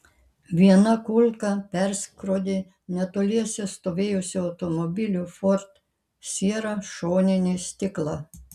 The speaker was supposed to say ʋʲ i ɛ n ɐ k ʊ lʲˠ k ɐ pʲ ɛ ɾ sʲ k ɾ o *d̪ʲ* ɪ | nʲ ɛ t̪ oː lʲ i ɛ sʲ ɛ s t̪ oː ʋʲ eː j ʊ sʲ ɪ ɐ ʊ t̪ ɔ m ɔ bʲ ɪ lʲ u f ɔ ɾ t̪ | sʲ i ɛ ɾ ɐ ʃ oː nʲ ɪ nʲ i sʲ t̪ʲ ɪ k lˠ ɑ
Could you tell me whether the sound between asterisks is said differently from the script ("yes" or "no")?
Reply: no